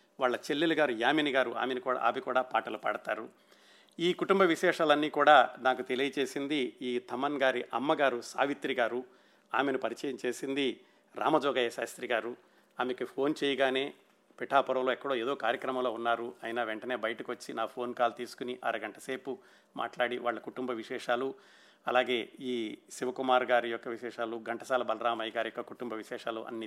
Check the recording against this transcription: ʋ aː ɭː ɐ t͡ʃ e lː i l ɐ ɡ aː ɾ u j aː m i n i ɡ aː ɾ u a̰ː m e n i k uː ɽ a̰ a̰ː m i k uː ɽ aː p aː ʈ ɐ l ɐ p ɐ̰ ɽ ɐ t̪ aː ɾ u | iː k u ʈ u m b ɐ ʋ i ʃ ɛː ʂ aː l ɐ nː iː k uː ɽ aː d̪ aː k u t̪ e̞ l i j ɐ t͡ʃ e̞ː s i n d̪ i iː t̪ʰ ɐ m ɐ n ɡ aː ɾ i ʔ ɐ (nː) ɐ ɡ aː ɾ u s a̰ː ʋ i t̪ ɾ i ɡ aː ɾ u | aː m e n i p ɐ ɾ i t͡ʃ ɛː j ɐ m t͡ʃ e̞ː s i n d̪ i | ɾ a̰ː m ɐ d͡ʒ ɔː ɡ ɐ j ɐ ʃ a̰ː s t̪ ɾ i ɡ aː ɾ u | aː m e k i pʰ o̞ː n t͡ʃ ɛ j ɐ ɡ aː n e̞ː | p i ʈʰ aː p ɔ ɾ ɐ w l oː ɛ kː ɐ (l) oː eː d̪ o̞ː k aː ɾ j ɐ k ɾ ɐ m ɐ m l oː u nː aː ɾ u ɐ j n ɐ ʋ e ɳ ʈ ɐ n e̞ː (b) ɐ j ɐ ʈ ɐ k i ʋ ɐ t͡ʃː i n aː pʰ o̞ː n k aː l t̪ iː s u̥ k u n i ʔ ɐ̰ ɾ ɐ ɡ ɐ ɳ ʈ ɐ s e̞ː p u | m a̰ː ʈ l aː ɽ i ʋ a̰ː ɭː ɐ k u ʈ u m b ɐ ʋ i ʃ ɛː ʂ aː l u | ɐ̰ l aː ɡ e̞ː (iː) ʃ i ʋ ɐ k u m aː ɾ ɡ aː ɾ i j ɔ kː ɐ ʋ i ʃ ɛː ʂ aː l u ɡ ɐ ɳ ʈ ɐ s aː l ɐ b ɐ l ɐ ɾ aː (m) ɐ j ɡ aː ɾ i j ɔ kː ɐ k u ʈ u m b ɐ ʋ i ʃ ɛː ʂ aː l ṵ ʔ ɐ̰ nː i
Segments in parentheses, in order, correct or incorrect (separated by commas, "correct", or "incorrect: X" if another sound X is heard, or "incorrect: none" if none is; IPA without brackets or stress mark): incorrect: mː, incorrect: ɽ, correct, correct, correct